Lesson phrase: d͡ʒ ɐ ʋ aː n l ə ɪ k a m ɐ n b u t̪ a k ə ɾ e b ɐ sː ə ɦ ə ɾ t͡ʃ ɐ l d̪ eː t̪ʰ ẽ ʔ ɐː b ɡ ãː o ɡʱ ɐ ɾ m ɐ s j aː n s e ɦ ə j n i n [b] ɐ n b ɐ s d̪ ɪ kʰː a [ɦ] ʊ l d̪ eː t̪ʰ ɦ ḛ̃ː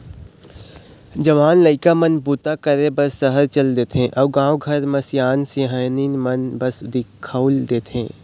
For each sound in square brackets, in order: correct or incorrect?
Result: incorrect, incorrect

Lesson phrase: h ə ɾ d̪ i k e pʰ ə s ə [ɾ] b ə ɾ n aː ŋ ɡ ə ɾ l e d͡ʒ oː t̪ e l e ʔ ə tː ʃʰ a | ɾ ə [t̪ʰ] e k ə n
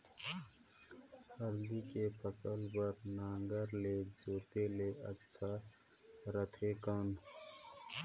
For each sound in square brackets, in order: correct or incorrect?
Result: incorrect, correct

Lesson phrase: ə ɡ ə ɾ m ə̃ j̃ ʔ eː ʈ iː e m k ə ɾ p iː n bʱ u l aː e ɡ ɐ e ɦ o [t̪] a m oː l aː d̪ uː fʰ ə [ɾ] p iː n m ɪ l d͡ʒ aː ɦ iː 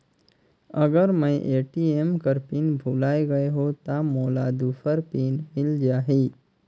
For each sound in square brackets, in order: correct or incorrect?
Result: correct, correct

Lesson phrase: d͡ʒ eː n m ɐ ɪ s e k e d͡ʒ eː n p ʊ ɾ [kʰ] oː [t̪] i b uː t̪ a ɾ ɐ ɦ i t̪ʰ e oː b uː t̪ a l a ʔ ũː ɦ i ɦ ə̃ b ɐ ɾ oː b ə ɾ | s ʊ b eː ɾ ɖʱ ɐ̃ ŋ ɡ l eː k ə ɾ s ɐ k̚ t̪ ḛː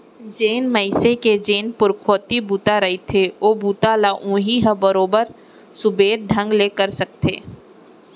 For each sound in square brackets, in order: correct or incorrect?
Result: correct, correct

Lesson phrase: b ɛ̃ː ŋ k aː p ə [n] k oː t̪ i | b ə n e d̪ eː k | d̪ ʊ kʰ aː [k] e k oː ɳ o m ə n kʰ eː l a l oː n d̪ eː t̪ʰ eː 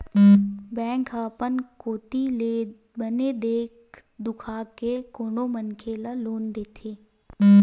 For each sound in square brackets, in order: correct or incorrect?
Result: correct, correct

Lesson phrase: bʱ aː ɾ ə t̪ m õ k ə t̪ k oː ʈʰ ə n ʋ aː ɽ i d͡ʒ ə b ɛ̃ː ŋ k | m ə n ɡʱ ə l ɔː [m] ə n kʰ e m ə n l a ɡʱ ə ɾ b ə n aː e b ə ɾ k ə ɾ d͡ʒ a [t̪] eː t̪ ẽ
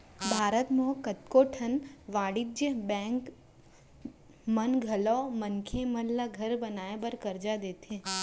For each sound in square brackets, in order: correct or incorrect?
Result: correct, incorrect

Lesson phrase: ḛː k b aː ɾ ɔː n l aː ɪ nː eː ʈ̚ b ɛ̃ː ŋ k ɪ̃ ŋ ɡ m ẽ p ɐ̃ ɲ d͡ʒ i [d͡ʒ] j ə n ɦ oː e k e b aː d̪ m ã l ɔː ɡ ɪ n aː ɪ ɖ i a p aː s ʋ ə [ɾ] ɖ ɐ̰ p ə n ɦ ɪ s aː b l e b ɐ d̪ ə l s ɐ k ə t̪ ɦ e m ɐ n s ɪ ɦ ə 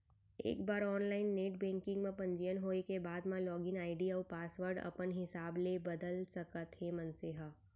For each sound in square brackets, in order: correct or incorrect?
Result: incorrect, correct

